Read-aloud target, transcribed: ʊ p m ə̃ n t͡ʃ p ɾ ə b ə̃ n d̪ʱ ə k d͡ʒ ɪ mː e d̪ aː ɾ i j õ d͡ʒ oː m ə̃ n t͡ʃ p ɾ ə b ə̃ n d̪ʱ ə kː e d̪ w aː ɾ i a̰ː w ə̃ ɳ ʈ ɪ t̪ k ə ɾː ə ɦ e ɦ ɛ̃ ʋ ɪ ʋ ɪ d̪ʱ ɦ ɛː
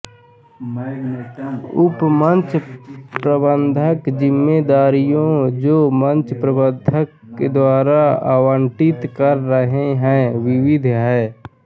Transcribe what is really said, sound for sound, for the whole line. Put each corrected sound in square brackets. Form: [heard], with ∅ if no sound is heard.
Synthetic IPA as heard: ʊ p m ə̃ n t͡ʃ p ɾ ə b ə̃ n d̪ʱ ə k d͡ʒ ɪ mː e d̪ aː ɾ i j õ d͡ʒ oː m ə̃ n t͡ʃ p ɾ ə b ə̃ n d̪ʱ ə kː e d̪ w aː ɾ [a] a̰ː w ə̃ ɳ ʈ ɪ t̪ k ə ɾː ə ɦ e ɦ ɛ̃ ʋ ɪ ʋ ɪ d̪ʱ ɦ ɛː